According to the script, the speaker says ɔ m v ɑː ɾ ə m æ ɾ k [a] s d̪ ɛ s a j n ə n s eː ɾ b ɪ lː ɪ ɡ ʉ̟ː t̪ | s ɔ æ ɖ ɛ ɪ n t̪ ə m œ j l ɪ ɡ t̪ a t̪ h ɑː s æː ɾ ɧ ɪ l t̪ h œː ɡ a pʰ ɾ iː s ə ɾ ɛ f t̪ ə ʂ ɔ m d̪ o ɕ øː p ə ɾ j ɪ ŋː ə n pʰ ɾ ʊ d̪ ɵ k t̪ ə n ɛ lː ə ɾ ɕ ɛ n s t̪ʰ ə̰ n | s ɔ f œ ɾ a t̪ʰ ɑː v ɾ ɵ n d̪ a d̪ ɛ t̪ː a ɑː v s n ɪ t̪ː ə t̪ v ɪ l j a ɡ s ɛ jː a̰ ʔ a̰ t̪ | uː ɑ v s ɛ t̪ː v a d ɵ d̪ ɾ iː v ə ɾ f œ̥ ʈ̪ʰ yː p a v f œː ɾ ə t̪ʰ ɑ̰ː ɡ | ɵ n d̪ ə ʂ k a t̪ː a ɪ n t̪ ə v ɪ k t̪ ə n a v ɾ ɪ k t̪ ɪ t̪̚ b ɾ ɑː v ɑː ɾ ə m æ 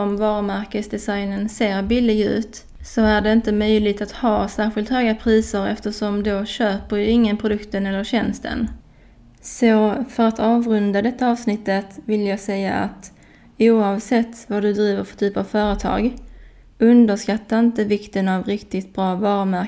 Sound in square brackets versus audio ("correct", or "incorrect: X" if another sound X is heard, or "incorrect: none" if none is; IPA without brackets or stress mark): incorrect: ə